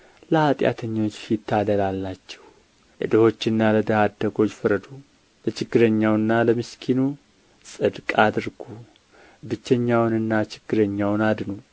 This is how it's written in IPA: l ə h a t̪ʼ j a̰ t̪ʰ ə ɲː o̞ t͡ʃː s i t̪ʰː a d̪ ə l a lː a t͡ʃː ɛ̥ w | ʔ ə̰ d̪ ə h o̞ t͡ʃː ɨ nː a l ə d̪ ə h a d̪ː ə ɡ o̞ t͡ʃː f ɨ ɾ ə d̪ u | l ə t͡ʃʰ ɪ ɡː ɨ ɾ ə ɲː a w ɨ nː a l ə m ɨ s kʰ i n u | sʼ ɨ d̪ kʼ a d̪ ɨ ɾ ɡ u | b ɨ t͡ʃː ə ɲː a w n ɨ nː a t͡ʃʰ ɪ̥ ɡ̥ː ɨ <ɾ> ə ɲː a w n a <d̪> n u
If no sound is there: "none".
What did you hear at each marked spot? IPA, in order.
ɾ, d̪

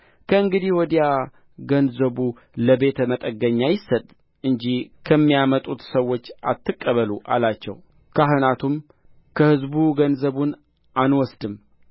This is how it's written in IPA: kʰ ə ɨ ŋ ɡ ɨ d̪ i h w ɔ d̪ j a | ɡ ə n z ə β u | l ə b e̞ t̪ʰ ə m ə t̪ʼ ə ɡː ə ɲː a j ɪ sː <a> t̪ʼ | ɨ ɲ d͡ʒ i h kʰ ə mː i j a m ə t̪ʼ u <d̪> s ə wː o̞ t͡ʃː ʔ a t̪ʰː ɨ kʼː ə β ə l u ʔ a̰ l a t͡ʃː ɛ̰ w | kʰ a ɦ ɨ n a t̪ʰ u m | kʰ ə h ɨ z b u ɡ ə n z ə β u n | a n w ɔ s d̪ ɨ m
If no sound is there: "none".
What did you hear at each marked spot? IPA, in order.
ə, t̪

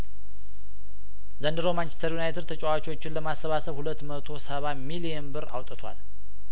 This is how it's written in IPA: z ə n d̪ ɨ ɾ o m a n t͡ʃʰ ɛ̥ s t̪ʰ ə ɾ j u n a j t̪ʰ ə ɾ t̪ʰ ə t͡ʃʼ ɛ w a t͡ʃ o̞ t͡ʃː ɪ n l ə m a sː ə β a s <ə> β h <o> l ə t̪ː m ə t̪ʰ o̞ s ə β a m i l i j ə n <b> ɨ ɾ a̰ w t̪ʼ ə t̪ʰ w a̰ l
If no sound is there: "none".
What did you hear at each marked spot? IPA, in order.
ə, u, b

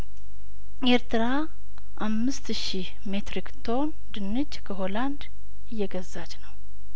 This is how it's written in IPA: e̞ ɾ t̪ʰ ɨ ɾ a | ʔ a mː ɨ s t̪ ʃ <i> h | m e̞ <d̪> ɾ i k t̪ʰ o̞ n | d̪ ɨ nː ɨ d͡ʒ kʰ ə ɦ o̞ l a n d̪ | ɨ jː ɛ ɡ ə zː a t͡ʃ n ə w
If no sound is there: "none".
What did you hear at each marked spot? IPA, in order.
i, t̪

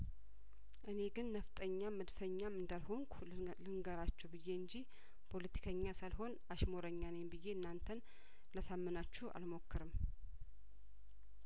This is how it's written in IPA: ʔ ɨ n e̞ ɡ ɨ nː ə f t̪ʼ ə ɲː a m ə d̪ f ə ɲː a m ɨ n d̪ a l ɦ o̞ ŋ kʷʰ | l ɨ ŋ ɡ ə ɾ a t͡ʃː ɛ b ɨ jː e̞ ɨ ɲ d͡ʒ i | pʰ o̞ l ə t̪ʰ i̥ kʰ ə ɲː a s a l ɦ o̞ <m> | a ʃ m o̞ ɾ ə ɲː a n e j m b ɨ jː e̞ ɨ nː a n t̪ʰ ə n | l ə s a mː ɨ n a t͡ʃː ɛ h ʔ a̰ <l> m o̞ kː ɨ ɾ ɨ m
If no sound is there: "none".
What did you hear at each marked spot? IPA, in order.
n, l

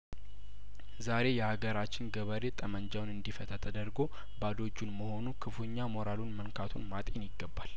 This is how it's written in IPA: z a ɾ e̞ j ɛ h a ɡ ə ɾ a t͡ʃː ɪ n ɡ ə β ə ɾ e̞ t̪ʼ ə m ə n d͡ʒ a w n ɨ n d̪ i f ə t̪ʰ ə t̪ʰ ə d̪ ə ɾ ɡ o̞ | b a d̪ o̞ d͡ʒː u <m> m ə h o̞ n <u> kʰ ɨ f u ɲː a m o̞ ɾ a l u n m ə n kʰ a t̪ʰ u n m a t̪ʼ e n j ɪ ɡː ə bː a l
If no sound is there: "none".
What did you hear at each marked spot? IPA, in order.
n, u

